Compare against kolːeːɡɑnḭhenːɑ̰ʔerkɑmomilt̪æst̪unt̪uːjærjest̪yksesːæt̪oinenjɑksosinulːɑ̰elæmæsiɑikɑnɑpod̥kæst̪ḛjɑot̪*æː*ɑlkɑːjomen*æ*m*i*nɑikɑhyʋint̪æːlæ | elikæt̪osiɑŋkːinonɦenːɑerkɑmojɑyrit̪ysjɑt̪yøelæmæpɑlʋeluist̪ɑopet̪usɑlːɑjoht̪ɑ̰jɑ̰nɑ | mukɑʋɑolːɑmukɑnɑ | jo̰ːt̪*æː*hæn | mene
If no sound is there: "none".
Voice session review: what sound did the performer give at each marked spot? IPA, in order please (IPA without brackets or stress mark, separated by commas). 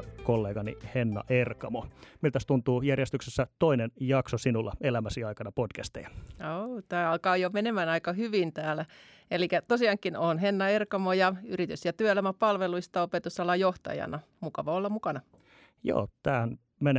æː, e, æ, æː